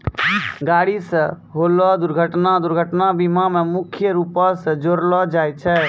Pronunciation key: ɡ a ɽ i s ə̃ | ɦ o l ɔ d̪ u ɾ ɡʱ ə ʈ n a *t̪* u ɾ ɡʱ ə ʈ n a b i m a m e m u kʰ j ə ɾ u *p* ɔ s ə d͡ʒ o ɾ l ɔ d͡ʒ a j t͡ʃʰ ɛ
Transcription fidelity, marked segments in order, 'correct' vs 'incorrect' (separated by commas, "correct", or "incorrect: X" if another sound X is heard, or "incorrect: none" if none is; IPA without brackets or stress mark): incorrect: d̪, correct